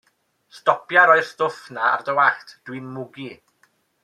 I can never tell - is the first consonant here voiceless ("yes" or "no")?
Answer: yes